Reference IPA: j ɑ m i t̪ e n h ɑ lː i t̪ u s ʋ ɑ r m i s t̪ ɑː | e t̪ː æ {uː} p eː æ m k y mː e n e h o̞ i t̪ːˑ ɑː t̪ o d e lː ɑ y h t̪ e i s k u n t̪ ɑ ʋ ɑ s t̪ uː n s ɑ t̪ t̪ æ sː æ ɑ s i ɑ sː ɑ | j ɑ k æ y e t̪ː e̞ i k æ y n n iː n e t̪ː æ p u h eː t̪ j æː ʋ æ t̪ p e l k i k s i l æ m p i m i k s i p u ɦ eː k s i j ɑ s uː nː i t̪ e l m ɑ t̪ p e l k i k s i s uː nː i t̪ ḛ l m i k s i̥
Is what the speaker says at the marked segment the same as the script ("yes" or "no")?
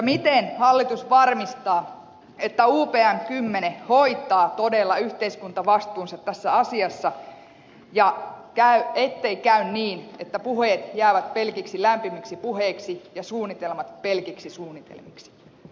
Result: yes